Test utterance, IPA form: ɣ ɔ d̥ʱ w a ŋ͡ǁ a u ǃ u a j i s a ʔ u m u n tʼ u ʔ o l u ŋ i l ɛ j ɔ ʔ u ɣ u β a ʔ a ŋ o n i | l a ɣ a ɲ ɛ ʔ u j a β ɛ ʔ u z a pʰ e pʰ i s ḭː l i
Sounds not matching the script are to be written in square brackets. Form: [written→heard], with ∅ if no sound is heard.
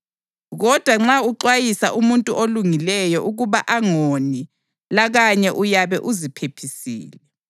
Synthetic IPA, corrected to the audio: ɣ ɔ d̥ʱ w a ŋ͡ǁ a u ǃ [u→w] a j i s a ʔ u m u n tʼ u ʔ o l u ŋ i l ɛ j ɔ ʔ u ɣ u β a ʔ a ŋ o n i | l a ɣ a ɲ ɛ ʔ u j a β ɛ ʔ u z [a→i] pʰ e pʰ i s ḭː l [i→ɛ]

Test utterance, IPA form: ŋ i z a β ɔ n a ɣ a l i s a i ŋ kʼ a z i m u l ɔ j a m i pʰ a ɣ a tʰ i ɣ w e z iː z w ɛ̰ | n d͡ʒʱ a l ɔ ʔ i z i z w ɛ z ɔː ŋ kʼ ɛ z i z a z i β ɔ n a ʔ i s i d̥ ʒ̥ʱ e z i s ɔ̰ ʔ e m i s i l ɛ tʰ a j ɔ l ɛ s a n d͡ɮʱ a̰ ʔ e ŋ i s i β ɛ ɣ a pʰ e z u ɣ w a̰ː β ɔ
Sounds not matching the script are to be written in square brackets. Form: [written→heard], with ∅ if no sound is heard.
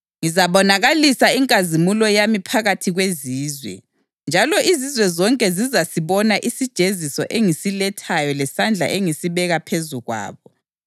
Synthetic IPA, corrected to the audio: ŋ i z a β ɔ n a ɣ a l i s a i ŋ kʼ a z i m u l ɔ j a m i pʰ a ɣ a tʰ i ɣ w e z iː z w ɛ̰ | n d͡ʒʱ a l ɔ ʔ i z i z w ɛ z [ɔː→ɔ] ŋ kʼ ɛ z i z a [z→s] i β ɔ n a ʔ i s i d̥ ʒ̥ʱ e z i s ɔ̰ ʔ e [m→ŋ] i s i l ɛ tʰ a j ɔ l ɛ s a n d͡ɮʱ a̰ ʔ e ŋ i s i β ɛ ɣ a pʰ e z u ɣ w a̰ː β ɔ

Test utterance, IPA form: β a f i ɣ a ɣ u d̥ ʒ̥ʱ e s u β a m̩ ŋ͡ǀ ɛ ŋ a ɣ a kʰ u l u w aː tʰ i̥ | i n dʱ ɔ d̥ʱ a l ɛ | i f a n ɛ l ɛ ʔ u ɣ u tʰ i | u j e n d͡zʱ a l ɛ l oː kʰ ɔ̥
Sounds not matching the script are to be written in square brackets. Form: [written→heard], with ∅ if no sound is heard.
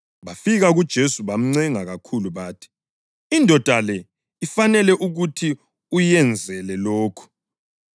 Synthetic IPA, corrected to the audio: β a f i ɣ a ɣ u d̥ ʒ̥ʱ e s u β a m̩ ŋ͡ǀ ɛ ŋ a ɣ a kʰ u l u [w→β] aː tʰ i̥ | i n dʱ ɔ d̥ʱ a l ɛ | i f a n ɛ l ɛ ʔ u ɣ u tʰ i | u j [e→ɛ] n d͡zʱ [a→ɛ] l ɛ l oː kʰ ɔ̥

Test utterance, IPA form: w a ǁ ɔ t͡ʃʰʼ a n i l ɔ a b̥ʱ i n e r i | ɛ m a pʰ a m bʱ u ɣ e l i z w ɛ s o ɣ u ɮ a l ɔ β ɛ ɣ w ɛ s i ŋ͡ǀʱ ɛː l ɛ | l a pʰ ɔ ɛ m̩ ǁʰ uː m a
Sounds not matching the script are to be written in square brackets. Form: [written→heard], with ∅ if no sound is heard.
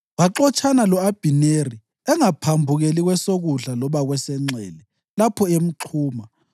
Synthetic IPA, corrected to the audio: w a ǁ ɔ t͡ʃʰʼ a n [i→a] l ɔ a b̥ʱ i n e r i | ɛ [m→ŋ] a pʰ a m bʱ u ɣ e l i [z→ɣ] w ɛ s o ɣ u ɮ a l ɔ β [ɛ→a] ɣ w ɛ s [i→ɛ] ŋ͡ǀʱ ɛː l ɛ | l a pʰ ɔ [ɛ→e] m̩ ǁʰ uː m a

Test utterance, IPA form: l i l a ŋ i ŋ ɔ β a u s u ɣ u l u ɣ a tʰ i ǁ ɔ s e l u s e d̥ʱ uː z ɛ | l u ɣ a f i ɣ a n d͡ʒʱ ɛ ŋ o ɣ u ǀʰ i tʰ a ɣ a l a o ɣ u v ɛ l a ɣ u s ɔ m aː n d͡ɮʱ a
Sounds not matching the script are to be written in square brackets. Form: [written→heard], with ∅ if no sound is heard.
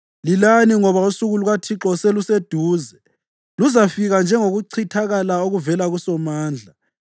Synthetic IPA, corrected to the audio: l i l a [ŋ→n] i ŋ ɔ β a u s u ɣ u l u ɣ a tʰ i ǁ ɔ s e l u s e d̥ʱ uː z ɛ | l u [ɣ→z] a f i ɣ a n d͡ʒʱ ɛ ŋ o ɣ u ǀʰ i tʰ a ɣ a l a o ɣ u v ɛ l a ɣ u s ɔ m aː n d͡ɮʱ a

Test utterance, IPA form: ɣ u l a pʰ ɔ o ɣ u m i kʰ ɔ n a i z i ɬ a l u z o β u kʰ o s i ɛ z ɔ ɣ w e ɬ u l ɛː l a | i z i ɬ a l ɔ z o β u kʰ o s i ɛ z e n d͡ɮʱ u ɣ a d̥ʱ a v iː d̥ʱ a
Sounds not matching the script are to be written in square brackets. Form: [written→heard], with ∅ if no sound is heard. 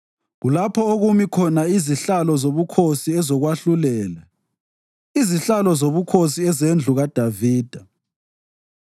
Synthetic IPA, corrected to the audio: ɣ u l a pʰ ɔ o ɣ u m i kʰ ɔ n a i z i ɬ a l [u→ɔ] z o β u kʰ o s i ɛ z ɔ ɣ w [e→a] ɬ u l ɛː l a | i z i ɬ a l ɔ z o β u kʰ o s i ɛ z e n d͡ɮʱ u ɣ a d̥ʱ a v iː d̥ʱ a

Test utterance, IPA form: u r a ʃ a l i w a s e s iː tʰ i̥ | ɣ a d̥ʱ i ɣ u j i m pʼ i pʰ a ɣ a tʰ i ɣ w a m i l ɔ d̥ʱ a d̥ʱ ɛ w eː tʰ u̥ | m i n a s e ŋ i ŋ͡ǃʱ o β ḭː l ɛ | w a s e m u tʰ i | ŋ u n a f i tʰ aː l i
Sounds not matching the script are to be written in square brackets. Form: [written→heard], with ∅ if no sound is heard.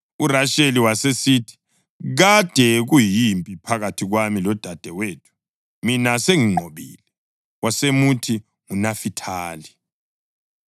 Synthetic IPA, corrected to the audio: u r a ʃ [a→e] l i w a s e s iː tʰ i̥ | ɣ a d̥ʱ [i→ɛ] ɣ u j i m pʼ i pʰ a ɣ a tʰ i ɣ w a m i l ɔ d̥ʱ a d̥ʱ ɛ w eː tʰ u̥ | m i n a s e ŋ i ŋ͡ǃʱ o β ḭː l ɛ | w a s e m u tʰ i | ŋ u n a f i tʰ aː l i

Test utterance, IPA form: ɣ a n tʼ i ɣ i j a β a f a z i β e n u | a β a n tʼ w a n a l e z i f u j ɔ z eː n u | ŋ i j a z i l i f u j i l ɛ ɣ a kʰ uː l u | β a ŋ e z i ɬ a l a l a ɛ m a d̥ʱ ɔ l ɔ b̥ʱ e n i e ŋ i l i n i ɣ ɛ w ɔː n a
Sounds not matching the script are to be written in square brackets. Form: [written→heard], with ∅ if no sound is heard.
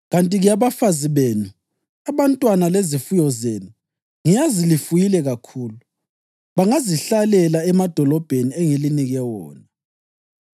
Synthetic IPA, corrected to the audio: ɣ a n tʼ i ɣ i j a β a f a z i β e n u | a β a n tʼ w a n a l e z i f u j ɔ z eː n u | ŋ i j a z i l i f u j i l ɛ ɣ a kʰ uː l u | β a ŋ [e→a] z i ɬ a l [a→ɛ] l a ɛ m a d̥ʱ ɔ l ɔ b̥ʱ e n i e ŋ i l i n i ɣ ɛ w ɔː n a

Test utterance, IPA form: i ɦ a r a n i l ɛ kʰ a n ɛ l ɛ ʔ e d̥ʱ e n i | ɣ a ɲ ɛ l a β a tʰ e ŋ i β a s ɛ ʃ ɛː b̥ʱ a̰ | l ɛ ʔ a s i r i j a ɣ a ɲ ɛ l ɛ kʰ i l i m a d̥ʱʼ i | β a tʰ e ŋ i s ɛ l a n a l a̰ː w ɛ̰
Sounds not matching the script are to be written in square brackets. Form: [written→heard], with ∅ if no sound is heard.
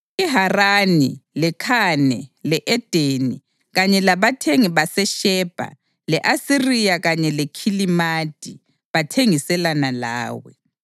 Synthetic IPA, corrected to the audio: i ɦ a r a n i l ɛ kʰ a n ɛ l ɛ ʔ [e→ɛ] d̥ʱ e n i | ɣ a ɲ ɛ l a β a tʰ e ŋ i β a s ɛ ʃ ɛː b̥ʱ a̰ | l ɛ ʔ a s i r i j a ɣ a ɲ ɛ l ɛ kʰ i l i m a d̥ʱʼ i | β a tʰ e ŋ i s ɛ l a n a l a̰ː w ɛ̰

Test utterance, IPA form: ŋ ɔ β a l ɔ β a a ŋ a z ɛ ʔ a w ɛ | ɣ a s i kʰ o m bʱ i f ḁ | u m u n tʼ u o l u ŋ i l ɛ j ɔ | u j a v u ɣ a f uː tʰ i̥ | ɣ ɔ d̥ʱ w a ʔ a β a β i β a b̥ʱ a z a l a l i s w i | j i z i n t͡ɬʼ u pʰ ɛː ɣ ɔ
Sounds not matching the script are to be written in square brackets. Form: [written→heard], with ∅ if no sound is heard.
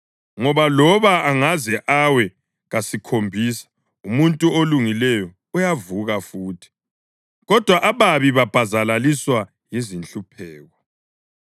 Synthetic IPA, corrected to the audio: ŋ ɔ β a l ɔ β a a ŋ a z ɛ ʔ a w ɛ | ɣ a s i kʰ o m bʱ i [f→s] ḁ | u m u n tʼ u o l u ŋ i l ɛ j ɔ | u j a v u ɣ a f uː tʰ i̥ | ɣ ɔ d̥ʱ w a ʔ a β a β i β a b̥ʱ a z a l a l i s w [i→a] | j i z i n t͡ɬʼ u pʰ ɛː ɣ ɔ

